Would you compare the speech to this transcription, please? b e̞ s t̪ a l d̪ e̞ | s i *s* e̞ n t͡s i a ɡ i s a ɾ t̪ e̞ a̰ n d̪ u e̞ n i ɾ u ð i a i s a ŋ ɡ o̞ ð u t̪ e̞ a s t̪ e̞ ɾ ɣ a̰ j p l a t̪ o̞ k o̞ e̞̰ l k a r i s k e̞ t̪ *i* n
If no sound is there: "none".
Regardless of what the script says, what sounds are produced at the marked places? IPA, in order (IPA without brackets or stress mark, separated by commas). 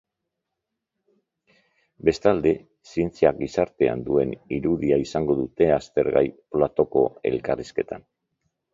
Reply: none, a